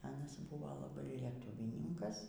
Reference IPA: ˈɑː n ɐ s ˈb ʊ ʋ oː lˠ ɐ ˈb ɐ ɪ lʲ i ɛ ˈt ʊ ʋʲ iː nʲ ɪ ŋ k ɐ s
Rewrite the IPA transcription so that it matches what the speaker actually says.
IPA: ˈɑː n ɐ s ˈb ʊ ʋ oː lˠ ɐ ˈb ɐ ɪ lʲ i ɛ ˈt ʊ ʋʲ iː nʲ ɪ ŋ k ɐ s